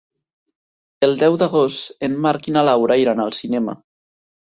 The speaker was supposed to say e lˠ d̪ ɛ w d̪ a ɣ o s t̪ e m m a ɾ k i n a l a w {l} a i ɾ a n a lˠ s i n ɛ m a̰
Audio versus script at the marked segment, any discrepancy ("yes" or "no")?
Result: yes